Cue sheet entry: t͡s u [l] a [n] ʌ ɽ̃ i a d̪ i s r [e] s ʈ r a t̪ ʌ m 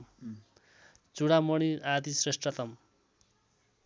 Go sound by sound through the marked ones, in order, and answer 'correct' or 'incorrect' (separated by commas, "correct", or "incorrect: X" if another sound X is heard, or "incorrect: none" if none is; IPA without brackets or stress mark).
incorrect: ɽ, incorrect: m, correct